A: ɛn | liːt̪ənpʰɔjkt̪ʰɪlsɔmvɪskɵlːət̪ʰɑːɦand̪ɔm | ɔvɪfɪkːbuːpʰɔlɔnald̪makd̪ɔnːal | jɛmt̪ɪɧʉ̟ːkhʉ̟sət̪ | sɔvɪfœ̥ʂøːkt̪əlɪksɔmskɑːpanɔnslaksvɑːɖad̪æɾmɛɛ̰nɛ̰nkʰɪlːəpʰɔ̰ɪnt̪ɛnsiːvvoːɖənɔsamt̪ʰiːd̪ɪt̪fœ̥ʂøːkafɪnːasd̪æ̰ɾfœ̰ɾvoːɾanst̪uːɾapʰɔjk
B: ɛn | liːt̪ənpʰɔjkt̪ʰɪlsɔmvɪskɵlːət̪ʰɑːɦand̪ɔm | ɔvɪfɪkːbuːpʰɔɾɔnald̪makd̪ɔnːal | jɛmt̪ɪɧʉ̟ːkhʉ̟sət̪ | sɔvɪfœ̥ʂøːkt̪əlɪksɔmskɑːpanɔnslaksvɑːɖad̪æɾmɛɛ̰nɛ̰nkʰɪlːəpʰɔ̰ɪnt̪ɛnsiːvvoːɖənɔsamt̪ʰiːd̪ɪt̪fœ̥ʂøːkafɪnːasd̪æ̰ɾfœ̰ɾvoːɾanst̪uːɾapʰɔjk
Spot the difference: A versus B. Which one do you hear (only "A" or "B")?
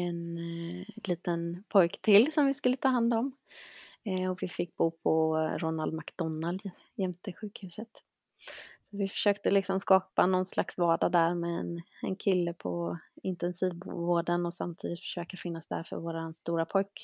B